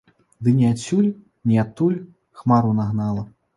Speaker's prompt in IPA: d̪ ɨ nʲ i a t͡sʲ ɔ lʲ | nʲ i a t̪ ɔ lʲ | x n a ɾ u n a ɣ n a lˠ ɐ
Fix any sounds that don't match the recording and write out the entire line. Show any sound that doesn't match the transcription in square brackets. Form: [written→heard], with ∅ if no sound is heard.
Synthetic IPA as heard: d̪ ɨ nʲ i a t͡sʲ [ɔ→u] lʲ | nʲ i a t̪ [ɔ→u] lʲ | x [n→m] a ɾ u n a ɣ n a lˠ ɐ